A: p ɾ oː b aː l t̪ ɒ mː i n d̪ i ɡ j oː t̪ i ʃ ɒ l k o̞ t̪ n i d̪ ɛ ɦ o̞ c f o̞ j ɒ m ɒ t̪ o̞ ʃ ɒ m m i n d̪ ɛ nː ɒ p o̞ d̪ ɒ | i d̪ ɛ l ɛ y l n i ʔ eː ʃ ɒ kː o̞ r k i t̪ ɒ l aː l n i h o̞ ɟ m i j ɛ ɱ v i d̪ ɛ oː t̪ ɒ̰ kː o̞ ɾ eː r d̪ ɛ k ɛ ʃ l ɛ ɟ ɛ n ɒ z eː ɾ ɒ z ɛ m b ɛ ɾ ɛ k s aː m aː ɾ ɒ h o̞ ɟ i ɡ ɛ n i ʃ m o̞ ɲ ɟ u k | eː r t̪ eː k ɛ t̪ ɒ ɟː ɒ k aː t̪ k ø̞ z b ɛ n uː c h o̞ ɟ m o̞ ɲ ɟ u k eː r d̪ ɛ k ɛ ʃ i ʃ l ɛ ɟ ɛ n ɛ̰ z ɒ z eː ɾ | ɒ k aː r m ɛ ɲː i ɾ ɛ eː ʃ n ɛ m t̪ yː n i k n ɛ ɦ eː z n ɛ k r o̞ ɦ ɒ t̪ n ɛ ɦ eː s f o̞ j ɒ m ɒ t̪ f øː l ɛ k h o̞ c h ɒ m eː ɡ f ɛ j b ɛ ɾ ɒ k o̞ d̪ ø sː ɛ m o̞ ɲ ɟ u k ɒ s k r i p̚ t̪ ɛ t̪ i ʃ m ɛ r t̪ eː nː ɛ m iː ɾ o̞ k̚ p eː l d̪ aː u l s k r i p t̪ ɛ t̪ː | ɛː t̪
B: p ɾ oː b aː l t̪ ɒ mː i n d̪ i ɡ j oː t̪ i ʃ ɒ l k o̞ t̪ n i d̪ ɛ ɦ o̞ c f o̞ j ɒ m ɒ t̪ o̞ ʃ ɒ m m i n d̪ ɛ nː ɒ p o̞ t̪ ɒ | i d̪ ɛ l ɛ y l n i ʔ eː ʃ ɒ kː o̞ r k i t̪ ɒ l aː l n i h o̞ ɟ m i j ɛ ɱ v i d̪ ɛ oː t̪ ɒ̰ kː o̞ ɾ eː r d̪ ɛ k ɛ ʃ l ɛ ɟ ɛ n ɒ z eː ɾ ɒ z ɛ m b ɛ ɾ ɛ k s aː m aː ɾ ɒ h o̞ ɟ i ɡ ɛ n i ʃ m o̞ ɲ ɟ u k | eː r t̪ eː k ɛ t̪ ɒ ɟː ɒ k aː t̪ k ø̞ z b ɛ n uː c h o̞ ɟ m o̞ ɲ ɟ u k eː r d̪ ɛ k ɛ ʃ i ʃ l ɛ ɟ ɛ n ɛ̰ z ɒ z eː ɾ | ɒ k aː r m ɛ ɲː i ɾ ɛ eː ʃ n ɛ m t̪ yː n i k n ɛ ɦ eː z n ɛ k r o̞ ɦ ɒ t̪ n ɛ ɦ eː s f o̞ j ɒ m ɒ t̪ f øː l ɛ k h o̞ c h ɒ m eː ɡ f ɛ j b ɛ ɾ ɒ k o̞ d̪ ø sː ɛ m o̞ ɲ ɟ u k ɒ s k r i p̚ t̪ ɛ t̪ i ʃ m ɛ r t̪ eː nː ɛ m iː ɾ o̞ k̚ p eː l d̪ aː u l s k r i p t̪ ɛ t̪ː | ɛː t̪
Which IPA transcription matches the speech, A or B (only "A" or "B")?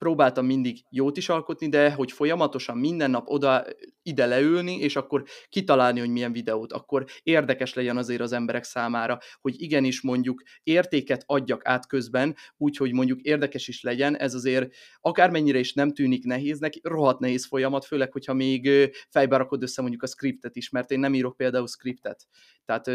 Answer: A